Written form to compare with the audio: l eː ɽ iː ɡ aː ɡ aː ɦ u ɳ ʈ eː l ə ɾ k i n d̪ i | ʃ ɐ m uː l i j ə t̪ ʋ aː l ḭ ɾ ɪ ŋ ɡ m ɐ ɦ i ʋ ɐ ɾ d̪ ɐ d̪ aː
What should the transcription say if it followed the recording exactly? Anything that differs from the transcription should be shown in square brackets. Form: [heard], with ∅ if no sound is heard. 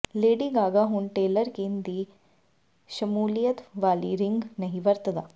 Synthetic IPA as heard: l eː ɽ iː ɡ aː ɡ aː ɦ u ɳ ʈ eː l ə ɾ k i n d̪ i | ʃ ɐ m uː l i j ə t̪ ʋ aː l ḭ ɾ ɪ ŋ ɡ [n] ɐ ɦ i ʋ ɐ ɾ [t̪] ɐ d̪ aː